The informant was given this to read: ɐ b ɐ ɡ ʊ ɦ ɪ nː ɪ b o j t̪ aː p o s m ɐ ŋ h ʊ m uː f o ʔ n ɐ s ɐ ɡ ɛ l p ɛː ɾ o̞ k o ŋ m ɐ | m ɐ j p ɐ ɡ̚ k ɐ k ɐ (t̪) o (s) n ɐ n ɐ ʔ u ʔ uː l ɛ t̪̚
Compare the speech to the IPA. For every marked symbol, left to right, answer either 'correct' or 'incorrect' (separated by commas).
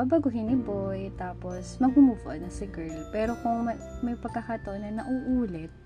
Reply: correct, incorrect